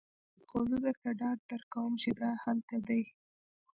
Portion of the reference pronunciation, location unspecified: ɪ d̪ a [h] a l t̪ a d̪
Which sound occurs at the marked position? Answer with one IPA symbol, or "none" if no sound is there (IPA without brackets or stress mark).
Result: h